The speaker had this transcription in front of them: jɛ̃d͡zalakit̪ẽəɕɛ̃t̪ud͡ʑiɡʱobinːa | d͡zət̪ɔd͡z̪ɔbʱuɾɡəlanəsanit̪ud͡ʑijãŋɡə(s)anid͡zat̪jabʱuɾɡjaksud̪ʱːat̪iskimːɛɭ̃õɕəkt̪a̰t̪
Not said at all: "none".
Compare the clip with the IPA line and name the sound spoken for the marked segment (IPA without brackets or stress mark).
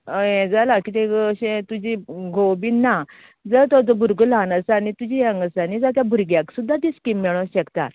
s